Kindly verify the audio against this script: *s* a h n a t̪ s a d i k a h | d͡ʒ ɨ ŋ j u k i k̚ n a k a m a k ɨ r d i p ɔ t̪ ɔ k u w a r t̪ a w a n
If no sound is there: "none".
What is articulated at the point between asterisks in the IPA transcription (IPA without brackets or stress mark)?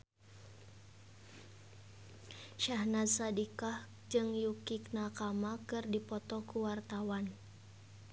ʃ